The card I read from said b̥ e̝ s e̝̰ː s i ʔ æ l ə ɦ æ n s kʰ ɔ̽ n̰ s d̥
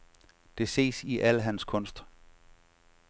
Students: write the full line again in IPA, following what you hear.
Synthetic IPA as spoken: d̥ e̝ s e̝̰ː s i ʔ æ l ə ɦ æ n s kʰ ɔ̽ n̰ s d̥